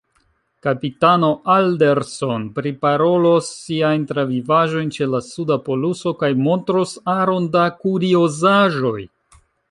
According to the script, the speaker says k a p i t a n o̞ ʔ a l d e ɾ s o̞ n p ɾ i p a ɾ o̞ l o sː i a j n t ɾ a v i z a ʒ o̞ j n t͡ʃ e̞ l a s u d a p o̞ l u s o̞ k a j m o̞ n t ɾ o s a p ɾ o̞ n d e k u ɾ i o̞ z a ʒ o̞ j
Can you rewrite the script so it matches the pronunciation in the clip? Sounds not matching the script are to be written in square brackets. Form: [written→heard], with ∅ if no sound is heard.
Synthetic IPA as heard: k a p i t a n o̞ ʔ a l d e ɾ s o̞ n p ɾ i p a ɾ o̞ l o sː i a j n t ɾ a v i [z→v] a ʒ o̞ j n t͡ʃ e̞ l a s u d a p o̞ l u s o̞ k a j m o̞ n t ɾ o s a [p→∅] ɾ o̞ n d [e→a] k u ɾ i o̞ z a ʒ o̞ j